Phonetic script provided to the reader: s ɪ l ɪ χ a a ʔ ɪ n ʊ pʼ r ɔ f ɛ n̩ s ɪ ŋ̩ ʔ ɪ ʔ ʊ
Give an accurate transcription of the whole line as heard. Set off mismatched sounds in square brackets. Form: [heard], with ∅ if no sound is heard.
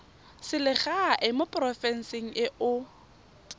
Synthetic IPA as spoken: s ɪ l ɪ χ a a ʔ ɪ [m] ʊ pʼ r ɔ f ɛ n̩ s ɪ ŋ̩ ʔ ɪ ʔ ʊ